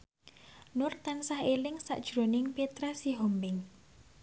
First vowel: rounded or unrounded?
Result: rounded